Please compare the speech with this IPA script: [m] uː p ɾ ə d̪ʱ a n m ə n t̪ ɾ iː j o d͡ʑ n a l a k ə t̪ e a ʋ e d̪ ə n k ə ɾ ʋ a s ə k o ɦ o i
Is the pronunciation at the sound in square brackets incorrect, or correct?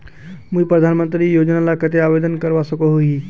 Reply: correct